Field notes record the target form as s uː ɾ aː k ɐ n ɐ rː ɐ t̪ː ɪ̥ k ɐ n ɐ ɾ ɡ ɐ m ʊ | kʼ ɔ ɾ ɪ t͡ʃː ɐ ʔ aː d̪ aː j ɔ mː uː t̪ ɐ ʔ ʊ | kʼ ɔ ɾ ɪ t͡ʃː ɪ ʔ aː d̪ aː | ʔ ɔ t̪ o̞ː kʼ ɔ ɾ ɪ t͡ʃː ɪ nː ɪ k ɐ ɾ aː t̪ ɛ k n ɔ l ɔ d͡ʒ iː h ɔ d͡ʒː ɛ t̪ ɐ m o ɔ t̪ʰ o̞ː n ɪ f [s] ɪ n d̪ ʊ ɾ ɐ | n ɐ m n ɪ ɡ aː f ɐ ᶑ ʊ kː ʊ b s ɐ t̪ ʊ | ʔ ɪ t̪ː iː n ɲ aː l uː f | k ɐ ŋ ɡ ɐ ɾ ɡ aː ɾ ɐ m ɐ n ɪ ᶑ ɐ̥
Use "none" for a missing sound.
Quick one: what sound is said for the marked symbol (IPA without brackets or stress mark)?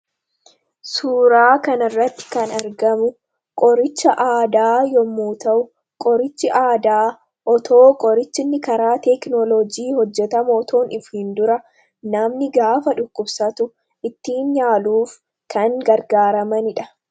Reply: h